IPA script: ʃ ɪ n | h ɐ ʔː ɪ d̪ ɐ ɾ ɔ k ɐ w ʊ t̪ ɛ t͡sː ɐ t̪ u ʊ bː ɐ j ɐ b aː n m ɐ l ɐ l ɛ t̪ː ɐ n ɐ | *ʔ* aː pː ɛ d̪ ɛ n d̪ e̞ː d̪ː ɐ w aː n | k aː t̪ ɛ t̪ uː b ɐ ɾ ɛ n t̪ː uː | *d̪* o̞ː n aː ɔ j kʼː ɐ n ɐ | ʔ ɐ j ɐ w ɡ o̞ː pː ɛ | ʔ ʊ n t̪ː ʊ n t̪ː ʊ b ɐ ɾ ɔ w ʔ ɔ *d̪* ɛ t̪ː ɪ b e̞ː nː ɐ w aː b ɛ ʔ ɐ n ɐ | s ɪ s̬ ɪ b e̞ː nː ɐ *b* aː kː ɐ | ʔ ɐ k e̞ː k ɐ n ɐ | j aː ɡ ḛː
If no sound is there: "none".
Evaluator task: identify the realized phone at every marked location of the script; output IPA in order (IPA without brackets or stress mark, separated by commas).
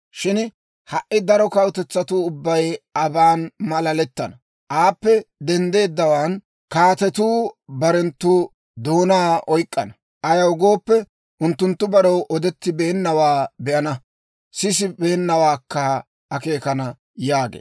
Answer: ʔ, d̪, d̪, w